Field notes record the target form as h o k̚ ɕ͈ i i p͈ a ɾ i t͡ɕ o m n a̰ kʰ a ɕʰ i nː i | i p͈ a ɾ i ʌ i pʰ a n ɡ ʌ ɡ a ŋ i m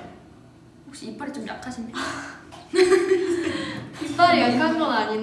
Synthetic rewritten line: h o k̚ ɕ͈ i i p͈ a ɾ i t͡ɕ o m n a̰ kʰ a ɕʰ i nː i | i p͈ a ɾ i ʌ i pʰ a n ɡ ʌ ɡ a ɲ i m